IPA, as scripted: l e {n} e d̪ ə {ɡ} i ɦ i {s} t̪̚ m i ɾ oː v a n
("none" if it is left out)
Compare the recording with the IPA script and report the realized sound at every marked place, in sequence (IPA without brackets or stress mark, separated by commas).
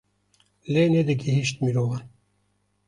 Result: n, ɡ, ʃ